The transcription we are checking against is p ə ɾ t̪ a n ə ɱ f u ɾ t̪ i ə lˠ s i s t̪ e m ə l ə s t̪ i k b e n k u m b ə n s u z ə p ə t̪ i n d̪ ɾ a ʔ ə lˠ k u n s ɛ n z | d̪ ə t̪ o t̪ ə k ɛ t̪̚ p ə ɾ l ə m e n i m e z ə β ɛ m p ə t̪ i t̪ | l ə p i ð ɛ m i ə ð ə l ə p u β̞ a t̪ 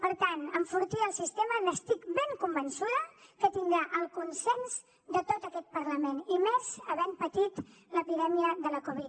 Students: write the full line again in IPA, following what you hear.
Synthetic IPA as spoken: p ə ɾ t̪ a n ə ɱ f u ɾ t̪ i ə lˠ s i s t̪ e m ə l ə s t̪ i k b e ŋ k u m b ə n s u ð ə k ə t̪ i n d̪ ɾ a ʔ ə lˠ k u n s ɛ n z | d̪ ə t̪ o t̪ ə k ɛ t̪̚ p ə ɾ l ə m e n i m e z ə β ɛ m p ə t̪ i t̪ | l ə p i ð ɛ m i ə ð ə l ə k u β̞ i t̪